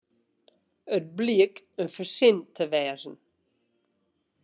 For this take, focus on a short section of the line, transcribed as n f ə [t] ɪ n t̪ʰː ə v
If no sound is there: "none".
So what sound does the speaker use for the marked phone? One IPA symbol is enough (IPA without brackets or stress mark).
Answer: s